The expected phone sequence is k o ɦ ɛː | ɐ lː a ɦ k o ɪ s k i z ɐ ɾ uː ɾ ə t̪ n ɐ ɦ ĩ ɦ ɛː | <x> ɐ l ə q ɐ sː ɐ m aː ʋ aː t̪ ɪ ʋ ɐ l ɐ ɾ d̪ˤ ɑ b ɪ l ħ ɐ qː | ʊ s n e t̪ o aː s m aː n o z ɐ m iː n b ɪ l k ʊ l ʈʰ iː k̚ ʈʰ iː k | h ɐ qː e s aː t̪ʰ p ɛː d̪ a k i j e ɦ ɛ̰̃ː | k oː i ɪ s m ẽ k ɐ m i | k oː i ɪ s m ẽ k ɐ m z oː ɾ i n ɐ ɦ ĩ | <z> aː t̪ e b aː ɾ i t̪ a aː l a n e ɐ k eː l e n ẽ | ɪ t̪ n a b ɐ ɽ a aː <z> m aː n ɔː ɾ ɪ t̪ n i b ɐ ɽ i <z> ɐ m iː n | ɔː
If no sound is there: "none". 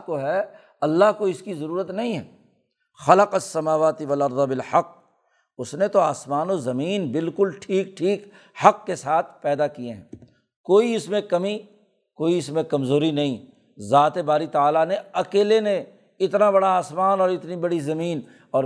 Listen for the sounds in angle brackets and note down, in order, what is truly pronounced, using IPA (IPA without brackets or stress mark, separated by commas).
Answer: x, z, s, z